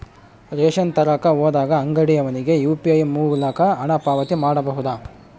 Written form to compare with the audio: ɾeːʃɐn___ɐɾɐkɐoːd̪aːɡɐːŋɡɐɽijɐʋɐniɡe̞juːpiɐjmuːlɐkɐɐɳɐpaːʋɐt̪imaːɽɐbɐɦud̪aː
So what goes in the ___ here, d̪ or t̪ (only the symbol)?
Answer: t̪